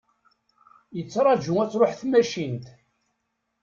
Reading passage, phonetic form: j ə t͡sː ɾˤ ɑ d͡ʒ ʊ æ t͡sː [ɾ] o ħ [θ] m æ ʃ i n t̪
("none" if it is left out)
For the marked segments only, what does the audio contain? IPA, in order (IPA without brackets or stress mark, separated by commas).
ɾ, θ